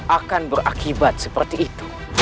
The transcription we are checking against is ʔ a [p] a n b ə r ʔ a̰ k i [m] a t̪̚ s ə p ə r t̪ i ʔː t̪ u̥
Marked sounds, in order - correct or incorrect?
incorrect, incorrect

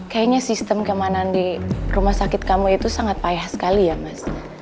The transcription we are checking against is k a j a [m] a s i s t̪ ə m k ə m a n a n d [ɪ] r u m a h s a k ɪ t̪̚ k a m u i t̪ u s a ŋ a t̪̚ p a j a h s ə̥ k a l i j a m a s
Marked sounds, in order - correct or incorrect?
incorrect, incorrect

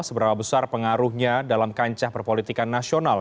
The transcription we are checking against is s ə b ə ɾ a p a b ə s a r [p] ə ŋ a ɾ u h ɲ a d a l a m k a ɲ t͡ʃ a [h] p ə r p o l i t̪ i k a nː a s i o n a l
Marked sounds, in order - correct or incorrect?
correct, correct

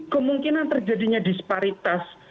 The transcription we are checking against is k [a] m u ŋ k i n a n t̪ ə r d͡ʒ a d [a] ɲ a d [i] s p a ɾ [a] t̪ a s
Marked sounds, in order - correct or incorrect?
incorrect, incorrect, correct, incorrect

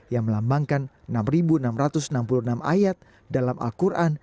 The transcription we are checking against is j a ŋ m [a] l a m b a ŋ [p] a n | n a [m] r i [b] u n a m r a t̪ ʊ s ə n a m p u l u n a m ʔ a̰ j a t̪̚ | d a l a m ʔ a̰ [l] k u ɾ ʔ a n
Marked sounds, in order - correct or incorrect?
incorrect, incorrect, correct, correct, correct

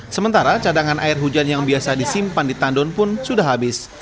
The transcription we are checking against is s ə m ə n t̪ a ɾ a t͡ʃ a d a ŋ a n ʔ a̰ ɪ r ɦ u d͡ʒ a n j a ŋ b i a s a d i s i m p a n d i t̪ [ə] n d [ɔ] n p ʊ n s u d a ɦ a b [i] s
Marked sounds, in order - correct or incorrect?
incorrect, correct, incorrect

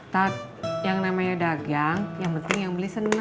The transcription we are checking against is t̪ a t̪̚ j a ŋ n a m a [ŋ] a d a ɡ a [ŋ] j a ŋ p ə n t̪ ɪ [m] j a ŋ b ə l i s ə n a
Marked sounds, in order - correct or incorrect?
incorrect, correct, incorrect

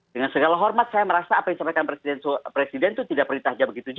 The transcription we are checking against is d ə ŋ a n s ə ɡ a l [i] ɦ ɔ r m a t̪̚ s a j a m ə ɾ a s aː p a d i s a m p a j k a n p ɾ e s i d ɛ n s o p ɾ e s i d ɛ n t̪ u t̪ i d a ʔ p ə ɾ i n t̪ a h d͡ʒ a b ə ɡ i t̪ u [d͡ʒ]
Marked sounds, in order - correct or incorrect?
incorrect, correct

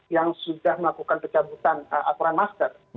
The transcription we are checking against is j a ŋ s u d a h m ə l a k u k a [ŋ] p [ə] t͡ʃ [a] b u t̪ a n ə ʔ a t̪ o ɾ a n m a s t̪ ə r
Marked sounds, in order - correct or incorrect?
incorrect, correct, correct

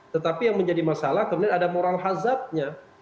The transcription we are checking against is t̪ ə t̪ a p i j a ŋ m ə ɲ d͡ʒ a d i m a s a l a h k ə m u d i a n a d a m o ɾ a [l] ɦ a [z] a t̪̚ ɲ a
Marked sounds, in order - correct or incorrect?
correct, correct

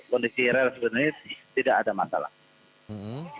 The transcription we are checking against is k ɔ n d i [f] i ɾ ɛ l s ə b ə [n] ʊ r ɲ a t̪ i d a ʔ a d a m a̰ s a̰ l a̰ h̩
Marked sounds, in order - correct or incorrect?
incorrect, correct

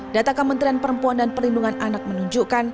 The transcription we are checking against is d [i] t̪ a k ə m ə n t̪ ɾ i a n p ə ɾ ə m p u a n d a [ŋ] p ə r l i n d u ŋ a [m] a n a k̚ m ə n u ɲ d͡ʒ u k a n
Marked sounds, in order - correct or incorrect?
incorrect, incorrect, incorrect

